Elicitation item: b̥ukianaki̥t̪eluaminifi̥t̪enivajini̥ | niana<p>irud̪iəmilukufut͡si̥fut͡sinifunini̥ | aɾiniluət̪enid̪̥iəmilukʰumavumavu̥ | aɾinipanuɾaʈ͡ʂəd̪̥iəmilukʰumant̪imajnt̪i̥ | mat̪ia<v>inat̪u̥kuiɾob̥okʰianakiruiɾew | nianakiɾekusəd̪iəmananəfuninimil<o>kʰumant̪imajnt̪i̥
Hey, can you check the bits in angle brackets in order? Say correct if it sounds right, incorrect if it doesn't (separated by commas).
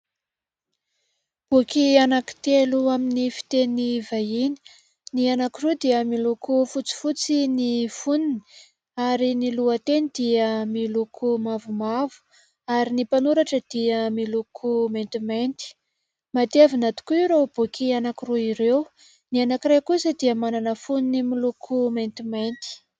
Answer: incorrect, correct, incorrect